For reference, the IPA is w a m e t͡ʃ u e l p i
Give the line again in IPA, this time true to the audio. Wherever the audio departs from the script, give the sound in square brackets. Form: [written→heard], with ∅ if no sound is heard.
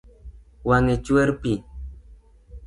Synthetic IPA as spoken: w a [m→ŋ] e t͡ʃ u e [l→ɾ] p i